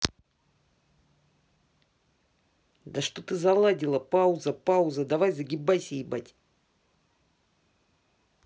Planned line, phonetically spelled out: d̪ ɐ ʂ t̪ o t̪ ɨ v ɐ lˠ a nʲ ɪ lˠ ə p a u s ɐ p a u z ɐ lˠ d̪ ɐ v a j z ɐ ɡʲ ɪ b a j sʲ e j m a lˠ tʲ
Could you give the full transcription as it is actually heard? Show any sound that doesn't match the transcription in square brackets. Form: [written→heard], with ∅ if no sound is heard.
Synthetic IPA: d̪ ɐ ʂ t̪ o t̪ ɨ [v→z] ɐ lˠ a [nʲ→dʲ] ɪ lˠ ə p a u [s→z] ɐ p a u z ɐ [lˠ→∅] d̪ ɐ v a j z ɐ ɡʲ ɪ b a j sʲ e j [m→b] a [lˠ→∅] tʲ